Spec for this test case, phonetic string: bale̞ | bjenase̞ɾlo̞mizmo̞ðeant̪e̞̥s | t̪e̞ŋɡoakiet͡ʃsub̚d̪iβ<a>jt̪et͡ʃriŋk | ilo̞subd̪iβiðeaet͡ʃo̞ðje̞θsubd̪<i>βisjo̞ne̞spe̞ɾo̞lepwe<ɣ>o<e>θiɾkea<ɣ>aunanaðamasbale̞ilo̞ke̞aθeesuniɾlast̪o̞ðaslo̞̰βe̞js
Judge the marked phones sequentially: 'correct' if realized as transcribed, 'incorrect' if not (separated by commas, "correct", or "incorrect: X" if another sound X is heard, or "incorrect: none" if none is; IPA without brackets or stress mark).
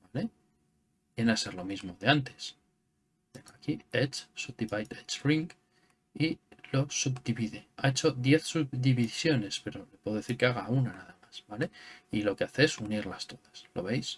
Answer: correct, correct, incorrect: ð, correct, correct